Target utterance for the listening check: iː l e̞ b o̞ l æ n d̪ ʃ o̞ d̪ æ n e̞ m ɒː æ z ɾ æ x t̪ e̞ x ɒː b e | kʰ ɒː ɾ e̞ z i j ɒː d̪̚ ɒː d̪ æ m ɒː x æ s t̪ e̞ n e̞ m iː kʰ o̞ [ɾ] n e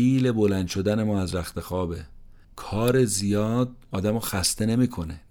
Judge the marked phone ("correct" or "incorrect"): incorrect